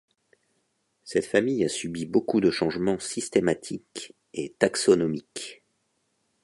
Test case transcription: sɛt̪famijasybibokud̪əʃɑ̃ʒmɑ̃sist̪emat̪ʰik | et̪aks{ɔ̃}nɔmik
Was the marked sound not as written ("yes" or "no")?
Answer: yes